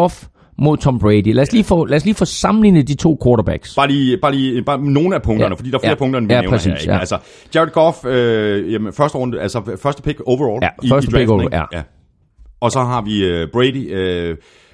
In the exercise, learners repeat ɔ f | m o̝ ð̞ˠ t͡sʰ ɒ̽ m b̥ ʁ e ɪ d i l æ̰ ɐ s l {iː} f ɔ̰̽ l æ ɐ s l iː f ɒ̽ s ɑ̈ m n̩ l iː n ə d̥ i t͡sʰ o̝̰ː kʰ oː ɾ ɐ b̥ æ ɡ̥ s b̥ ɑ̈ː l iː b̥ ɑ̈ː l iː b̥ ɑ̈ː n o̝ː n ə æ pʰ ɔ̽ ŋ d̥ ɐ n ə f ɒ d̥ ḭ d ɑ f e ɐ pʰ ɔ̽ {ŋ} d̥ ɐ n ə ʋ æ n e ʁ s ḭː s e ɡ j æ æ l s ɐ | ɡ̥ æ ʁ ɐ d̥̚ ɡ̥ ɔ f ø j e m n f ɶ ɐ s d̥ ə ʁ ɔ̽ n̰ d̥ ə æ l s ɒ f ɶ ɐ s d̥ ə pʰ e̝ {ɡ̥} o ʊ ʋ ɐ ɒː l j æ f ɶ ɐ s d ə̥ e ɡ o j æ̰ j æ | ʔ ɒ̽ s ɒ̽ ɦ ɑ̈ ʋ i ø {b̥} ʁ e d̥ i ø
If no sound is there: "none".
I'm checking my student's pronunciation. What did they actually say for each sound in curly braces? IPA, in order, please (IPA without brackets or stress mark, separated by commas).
iː, ŋ, ɡ̥, b̥